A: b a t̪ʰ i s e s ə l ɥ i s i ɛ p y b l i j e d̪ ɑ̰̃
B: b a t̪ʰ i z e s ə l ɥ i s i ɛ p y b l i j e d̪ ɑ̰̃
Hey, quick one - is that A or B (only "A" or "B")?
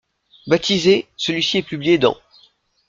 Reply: B